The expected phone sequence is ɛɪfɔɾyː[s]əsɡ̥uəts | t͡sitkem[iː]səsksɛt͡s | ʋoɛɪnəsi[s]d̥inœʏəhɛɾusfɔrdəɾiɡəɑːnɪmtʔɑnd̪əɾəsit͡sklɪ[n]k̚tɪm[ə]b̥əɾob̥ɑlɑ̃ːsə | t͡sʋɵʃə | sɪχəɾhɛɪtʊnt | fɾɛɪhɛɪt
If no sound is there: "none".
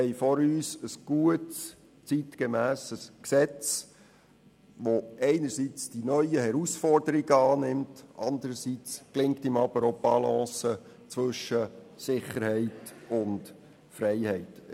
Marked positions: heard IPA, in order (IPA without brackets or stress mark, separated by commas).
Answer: s, æː, t͡s, ŋ, ɑ